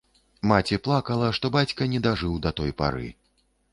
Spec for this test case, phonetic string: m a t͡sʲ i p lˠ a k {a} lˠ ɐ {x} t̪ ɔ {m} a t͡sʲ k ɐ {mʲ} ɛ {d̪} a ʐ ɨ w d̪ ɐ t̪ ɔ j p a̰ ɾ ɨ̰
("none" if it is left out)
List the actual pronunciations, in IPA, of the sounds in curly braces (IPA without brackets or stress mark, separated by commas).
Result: ɐ, ʂ, b, nʲ, d̪